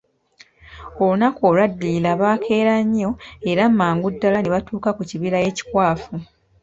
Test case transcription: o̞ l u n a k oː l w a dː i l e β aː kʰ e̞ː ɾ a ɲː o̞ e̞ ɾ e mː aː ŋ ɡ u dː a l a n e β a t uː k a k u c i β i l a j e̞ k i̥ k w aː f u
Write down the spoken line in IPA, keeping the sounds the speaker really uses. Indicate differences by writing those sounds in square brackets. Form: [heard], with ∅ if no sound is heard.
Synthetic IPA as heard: o̞ l u n a k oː l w a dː i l [a] β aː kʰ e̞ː ɾ a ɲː o̞ e̞ ɾ [a] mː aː ŋ ɡ u dː a l a n e β a t uː k a k u c i β i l a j e̞ [c] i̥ k w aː f u